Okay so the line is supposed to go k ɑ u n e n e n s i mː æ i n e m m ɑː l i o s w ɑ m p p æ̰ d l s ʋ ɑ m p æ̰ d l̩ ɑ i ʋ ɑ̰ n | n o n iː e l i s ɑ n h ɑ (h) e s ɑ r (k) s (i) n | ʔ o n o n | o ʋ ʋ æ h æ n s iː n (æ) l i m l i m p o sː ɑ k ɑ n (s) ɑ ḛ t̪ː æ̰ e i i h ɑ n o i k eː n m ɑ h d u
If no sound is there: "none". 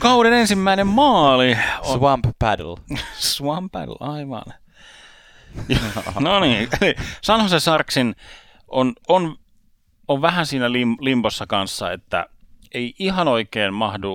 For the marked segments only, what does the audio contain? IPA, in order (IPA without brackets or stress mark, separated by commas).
s, k, i, æ, sː